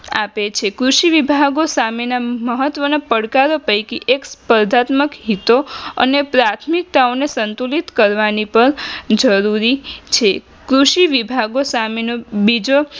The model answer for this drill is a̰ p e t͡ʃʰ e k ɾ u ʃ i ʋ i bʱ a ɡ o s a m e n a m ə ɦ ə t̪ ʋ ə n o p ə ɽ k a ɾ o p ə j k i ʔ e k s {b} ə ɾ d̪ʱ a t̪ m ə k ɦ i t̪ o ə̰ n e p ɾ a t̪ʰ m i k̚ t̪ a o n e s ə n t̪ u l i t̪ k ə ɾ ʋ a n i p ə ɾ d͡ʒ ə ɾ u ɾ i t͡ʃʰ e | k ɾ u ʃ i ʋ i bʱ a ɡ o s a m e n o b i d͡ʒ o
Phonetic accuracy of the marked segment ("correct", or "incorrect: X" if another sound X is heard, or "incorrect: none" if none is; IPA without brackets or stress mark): incorrect: p